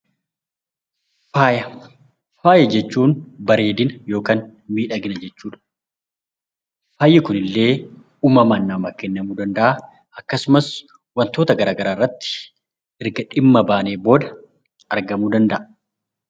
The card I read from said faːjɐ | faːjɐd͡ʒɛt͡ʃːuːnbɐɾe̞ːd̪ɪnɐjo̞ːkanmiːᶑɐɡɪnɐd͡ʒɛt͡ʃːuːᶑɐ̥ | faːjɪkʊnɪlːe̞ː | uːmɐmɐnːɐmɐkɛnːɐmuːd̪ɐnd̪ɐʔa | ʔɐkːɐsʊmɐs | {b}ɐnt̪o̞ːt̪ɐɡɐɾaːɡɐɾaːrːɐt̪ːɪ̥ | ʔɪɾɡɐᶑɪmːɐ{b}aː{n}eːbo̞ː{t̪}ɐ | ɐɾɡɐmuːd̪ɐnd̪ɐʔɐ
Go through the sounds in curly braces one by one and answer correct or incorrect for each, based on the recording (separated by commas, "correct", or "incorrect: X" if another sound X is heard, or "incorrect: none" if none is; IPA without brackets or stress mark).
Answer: incorrect: w, correct, correct, incorrect: d̪